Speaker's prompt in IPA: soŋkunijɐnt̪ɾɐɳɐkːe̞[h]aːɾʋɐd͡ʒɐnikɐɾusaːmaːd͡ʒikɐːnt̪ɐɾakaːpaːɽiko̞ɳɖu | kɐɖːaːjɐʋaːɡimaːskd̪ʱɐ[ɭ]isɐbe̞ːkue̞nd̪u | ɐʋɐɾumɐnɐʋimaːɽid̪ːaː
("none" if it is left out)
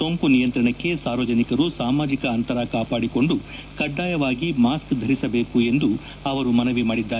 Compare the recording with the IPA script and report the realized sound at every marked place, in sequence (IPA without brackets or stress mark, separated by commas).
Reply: s, ɾ